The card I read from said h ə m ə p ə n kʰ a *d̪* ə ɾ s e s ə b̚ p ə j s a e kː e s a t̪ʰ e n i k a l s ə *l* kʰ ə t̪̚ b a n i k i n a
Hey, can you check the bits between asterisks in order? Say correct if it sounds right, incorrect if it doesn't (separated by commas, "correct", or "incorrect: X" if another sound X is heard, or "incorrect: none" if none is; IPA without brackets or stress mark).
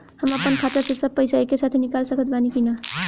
incorrect: t̪, incorrect: none